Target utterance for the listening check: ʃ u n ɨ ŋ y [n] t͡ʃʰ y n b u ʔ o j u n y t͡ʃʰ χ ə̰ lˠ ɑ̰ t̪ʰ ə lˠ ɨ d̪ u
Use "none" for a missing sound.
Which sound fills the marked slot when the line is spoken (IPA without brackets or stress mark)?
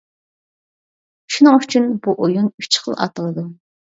none